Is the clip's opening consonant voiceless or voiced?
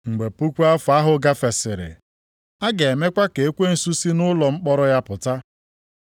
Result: voiced